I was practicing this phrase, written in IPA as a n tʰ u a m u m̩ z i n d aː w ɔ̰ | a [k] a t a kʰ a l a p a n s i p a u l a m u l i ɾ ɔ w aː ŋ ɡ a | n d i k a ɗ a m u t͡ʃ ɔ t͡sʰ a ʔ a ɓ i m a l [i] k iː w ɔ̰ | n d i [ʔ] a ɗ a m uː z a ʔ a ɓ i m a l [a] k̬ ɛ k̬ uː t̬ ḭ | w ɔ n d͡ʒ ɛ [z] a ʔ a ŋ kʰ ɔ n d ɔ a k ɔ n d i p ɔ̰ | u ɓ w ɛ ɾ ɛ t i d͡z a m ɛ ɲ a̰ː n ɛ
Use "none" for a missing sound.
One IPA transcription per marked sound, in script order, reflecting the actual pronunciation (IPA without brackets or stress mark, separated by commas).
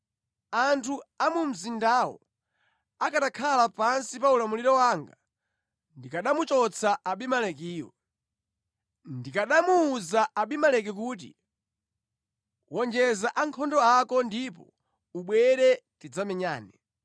k, ɛ, k, ɛ, z